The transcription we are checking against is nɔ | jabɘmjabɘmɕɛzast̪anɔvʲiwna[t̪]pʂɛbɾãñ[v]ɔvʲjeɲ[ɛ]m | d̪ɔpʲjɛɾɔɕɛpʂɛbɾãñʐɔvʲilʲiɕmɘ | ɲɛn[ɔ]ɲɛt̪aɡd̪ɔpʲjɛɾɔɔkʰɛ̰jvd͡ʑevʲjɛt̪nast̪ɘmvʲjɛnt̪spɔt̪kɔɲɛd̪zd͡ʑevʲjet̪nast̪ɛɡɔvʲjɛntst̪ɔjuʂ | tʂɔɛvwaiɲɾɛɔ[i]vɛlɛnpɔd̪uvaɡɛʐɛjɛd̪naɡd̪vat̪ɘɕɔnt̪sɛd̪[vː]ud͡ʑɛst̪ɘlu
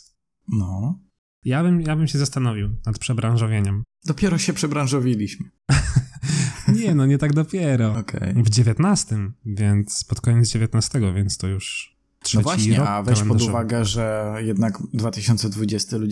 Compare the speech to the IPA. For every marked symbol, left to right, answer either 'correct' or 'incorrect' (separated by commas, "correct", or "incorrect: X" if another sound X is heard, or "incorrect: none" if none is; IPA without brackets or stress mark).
correct, incorrect: ʐ, correct, correct, incorrect: a, incorrect: v